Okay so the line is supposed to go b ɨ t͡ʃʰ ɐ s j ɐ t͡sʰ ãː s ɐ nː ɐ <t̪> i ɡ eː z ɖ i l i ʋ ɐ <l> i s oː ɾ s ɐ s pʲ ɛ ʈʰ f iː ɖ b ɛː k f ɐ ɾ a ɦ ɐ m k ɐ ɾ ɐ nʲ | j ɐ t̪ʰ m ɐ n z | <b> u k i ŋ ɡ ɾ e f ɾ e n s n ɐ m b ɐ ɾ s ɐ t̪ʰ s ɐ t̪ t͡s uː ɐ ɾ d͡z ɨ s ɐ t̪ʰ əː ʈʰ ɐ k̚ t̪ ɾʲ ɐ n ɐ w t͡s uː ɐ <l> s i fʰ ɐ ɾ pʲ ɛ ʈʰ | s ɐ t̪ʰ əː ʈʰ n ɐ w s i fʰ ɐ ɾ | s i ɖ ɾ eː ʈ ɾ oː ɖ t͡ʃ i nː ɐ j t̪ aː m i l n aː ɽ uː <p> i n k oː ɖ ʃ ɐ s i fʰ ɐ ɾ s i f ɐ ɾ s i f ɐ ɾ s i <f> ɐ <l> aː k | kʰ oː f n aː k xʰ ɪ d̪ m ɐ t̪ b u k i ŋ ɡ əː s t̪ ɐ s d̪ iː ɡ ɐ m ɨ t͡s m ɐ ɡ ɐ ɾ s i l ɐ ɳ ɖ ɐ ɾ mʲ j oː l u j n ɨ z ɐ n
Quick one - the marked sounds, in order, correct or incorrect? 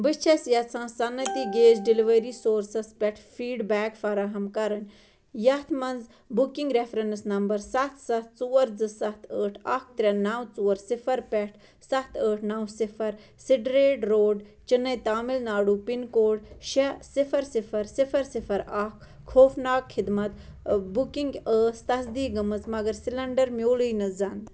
correct, incorrect, correct, incorrect, correct, correct, incorrect

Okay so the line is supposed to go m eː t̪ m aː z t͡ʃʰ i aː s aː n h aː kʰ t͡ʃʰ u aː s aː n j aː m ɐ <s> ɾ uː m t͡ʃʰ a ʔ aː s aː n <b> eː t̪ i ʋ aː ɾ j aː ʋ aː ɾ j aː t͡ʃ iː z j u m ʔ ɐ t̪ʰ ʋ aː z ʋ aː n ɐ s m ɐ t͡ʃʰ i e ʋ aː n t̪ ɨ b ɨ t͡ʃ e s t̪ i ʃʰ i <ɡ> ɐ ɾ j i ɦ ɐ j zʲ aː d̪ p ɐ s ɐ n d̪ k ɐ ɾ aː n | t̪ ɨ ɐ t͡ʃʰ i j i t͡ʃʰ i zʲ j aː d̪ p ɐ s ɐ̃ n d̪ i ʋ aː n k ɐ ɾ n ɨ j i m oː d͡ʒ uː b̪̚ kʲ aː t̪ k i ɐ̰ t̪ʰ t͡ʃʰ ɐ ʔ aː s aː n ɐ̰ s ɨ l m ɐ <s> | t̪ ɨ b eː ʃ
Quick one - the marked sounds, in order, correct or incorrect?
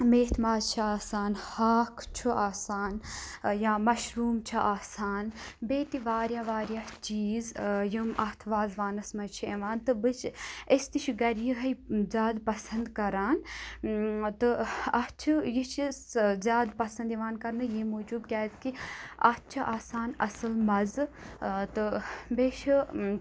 incorrect, correct, correct, incorrect

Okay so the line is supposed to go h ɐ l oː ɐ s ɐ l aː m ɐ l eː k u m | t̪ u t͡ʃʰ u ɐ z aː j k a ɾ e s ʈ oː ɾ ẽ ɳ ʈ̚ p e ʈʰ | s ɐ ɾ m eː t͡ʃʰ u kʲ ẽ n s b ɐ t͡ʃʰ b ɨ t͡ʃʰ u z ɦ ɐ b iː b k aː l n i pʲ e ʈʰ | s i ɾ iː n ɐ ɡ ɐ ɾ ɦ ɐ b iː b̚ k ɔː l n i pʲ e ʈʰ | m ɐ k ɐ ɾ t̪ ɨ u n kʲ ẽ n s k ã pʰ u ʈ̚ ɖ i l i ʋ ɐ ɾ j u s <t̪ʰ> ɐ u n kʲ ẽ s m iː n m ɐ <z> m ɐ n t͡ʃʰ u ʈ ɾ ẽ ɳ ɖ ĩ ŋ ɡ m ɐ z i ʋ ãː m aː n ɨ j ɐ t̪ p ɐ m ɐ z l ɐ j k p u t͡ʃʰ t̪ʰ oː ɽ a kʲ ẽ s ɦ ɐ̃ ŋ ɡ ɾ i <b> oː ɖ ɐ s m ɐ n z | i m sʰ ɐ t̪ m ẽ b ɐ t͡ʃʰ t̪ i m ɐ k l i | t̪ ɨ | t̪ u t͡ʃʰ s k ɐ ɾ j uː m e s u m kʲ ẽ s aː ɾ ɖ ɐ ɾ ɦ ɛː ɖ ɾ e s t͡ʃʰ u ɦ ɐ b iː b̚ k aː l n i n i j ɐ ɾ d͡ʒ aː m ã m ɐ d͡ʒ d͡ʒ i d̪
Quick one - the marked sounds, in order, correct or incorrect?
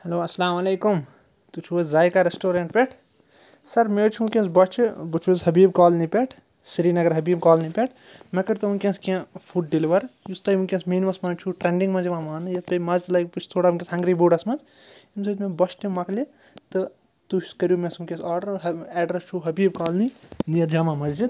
incorrect, incorrect, correct

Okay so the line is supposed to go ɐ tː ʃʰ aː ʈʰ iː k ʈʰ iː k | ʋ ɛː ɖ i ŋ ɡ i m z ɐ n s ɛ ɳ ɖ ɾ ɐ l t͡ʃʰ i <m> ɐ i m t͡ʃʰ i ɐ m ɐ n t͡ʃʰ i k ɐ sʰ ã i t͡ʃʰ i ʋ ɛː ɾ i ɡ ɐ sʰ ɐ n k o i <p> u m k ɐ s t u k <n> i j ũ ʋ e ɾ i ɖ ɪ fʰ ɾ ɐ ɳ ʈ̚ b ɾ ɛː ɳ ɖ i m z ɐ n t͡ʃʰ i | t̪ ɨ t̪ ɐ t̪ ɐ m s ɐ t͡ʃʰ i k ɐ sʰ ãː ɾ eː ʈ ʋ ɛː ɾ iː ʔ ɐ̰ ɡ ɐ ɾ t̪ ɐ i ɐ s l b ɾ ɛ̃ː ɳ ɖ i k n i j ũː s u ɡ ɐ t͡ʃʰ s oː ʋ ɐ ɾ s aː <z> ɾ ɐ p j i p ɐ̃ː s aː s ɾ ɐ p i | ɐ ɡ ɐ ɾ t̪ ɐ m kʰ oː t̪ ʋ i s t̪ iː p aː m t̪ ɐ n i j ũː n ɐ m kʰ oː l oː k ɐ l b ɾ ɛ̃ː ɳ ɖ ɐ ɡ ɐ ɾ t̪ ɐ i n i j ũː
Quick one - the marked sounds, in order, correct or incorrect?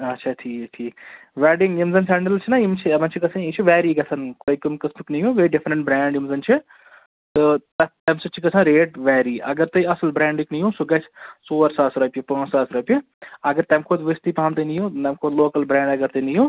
incorrect, incorrect, correct, incorrect

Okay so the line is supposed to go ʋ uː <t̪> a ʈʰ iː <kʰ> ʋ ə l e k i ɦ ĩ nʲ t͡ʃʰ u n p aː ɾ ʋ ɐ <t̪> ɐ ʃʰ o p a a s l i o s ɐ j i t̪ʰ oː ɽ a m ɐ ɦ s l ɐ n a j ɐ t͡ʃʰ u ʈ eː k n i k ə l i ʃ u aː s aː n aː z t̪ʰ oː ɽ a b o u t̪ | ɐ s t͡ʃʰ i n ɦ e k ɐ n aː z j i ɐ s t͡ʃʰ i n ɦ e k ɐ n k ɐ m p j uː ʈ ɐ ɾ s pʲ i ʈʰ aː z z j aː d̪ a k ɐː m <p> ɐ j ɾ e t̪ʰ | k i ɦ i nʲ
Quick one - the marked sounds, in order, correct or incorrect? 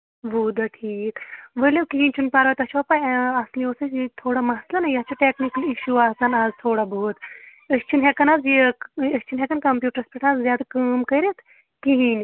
incorrect, incorrect, correct, incorrect

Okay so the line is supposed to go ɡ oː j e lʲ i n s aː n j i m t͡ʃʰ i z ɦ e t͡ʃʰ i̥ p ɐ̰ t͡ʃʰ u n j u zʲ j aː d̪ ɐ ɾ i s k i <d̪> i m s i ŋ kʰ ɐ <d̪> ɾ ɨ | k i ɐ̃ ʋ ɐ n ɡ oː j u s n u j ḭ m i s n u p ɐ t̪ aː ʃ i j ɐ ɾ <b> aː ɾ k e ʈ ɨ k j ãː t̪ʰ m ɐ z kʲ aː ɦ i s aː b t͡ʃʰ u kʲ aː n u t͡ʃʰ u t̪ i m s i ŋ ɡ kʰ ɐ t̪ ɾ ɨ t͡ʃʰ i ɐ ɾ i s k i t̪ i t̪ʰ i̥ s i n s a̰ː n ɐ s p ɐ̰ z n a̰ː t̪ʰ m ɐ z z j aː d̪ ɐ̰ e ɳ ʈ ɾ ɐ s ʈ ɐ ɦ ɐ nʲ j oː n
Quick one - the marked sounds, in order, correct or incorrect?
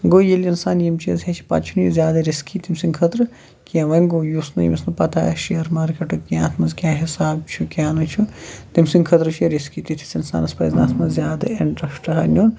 incorrect, incorrect, incorrect

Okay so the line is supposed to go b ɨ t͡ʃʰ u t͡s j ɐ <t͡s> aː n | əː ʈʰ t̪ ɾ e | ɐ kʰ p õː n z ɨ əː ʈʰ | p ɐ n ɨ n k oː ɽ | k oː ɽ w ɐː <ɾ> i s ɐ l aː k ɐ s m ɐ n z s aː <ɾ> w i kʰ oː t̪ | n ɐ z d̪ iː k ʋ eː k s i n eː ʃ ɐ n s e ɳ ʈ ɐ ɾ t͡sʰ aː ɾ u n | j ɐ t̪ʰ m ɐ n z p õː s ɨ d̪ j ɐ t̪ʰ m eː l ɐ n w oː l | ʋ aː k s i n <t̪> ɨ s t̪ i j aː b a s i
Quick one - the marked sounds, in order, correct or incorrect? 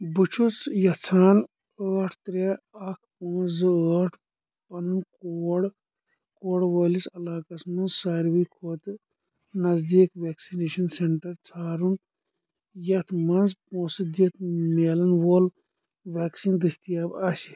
incorrect, incorrect, correct, incorrect

